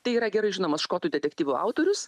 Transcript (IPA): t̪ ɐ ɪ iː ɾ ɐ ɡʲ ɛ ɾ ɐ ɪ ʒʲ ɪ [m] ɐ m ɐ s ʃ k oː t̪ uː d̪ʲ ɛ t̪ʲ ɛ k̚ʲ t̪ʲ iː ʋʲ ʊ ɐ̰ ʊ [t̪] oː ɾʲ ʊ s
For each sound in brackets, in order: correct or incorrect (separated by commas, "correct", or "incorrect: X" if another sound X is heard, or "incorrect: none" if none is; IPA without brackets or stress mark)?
incorrect: n, correct